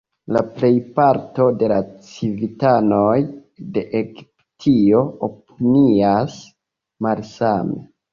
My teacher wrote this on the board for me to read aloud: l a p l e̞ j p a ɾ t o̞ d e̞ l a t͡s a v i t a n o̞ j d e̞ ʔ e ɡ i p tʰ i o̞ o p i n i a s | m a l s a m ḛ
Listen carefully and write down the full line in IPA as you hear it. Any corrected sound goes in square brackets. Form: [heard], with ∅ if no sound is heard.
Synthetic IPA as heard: l a p l e̞ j p a ɾ t o̞ d e̞ l a t͡s [i] v i t a n o̞ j d e̞ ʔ e ɡ i p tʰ i o̞ o p i n i a s | m a l s a m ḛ

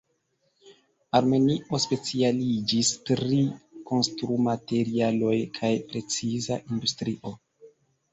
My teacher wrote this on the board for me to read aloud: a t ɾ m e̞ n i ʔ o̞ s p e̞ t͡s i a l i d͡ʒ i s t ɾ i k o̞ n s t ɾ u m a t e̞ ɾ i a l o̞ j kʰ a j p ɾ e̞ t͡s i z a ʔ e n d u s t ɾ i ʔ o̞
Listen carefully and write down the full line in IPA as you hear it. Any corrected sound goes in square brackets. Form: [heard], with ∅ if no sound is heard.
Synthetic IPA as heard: a [∅] ɾ m e̞ n i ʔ o̞ s p e̞ t͡s i a l i d͡ʒ i s t ɾ i k o̞ n s t ɾ u m a t e̞ ɾ i a l o̞ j kʰ a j p ɾ e̞ t͡s i z a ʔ [i] n d u s t ɾ i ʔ o̞

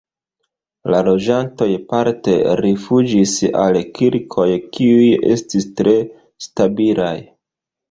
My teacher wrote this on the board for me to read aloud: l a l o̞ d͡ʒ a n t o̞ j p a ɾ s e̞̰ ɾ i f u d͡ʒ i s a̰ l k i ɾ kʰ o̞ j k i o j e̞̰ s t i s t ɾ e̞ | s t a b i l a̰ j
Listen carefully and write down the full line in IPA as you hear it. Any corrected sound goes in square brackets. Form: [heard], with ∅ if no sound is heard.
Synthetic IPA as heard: l a l o̞ d͡ʒ a n t o̞ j p a ɾ [t] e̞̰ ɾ i f u d͡ʒ i s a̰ l k i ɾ kʰ o̞ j k i [u] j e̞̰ s t i s t ɾ e̞ | s t a b i l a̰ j

